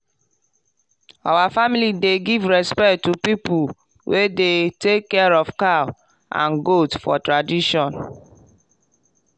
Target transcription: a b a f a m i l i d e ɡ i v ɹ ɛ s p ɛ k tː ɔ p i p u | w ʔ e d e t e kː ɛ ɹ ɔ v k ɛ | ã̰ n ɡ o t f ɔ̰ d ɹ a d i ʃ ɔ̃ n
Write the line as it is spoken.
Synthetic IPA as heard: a w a f a m i l i d e ɡ i v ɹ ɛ s p ɛ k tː u p i p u | w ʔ e d e t e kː ɛ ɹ ɔ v k a | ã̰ n ɡ o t f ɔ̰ t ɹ a d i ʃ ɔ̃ n